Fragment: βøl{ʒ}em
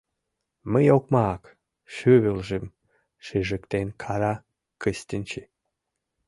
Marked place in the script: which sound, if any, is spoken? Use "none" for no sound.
ʒ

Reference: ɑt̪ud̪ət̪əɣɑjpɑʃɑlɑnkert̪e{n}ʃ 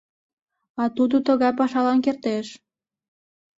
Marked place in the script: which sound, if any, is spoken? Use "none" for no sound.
none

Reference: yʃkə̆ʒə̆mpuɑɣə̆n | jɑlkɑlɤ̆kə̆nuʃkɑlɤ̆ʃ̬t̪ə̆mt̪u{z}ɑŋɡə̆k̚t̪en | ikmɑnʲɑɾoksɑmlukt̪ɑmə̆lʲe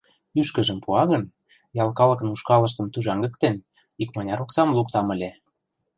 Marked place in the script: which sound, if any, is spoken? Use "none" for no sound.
ʒ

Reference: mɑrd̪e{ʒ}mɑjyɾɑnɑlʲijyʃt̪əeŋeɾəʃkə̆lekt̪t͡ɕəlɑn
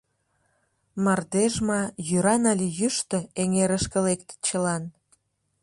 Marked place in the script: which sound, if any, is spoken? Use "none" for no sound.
ʒ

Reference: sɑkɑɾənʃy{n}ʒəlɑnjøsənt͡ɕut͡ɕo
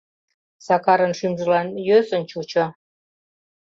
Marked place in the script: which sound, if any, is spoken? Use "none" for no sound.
m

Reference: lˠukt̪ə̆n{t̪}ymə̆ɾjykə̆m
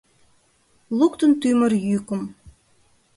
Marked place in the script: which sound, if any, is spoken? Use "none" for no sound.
t̪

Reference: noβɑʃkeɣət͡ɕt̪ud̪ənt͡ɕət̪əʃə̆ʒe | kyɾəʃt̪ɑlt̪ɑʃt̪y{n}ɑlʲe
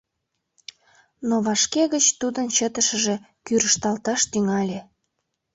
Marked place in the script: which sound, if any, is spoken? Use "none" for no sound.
ŋ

